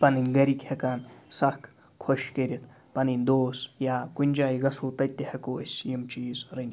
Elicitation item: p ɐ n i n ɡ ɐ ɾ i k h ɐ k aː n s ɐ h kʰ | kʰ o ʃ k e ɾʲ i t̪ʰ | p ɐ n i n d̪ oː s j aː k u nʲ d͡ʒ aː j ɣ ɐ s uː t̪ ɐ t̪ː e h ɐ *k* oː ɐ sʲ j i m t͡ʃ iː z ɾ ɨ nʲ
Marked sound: correct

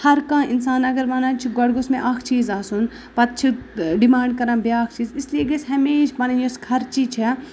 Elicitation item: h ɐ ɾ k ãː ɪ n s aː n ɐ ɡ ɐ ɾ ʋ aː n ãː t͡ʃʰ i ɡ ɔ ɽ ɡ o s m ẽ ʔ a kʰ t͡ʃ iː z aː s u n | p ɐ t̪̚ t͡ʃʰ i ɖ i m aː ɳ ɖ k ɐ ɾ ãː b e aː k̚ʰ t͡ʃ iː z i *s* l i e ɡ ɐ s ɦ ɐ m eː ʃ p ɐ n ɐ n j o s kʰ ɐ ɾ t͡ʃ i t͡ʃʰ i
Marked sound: correct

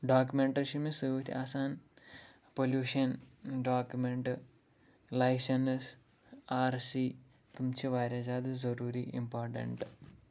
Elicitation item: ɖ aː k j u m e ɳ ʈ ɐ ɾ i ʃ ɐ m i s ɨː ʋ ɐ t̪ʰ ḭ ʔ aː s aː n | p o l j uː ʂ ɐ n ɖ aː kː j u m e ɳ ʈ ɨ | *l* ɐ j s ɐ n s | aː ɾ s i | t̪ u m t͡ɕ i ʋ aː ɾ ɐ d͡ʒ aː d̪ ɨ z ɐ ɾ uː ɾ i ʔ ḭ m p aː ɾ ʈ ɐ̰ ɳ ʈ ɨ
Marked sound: correct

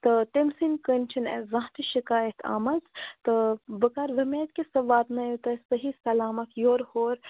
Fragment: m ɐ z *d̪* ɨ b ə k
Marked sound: incorrect: t̪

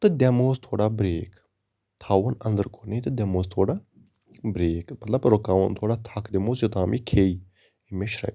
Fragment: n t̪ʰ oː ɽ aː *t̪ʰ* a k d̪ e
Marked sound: correct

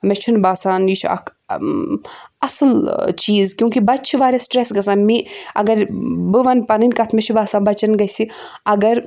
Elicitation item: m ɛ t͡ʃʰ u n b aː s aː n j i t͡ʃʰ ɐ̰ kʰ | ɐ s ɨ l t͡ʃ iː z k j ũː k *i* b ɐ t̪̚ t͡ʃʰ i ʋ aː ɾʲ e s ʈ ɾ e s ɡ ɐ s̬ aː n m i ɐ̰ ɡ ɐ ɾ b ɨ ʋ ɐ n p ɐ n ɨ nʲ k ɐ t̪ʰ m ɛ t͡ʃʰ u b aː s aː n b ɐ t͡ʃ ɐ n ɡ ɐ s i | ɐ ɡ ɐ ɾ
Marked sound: correct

